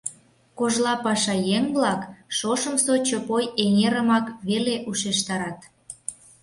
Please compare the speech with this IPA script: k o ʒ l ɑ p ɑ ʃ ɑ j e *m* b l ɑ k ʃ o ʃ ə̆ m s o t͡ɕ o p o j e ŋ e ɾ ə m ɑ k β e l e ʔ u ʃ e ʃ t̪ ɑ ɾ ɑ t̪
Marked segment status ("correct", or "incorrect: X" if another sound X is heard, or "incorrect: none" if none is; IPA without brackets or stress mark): incorrect: ŋ